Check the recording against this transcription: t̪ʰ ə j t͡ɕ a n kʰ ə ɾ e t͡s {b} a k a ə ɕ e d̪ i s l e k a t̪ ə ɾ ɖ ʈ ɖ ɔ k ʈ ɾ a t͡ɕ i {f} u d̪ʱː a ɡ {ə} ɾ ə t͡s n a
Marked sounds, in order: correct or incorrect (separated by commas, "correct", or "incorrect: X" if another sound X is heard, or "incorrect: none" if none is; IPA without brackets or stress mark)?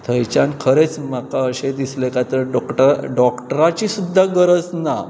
incorrect: m, incorrect: s, correct